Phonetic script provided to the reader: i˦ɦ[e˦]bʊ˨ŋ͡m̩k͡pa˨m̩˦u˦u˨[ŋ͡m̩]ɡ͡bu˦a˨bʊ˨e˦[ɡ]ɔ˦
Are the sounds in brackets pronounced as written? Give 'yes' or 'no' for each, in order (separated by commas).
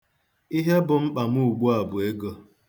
yes, no, yes